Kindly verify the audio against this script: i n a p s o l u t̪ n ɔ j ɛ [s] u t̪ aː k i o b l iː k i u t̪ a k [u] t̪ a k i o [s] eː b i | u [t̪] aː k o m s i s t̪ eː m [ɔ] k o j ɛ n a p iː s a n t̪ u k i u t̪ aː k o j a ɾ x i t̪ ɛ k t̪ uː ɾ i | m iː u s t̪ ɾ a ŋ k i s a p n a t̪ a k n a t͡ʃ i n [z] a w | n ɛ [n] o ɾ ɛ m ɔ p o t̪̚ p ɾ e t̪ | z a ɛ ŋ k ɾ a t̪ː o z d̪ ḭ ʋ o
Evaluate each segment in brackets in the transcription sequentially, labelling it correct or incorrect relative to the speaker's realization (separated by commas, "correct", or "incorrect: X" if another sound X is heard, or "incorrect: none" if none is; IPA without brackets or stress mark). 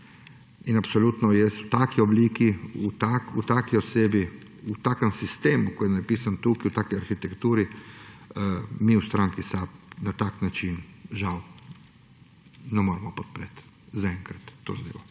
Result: correct, correct, correct, correct, incorrect: u, incorrect: ʒ, incorrect: m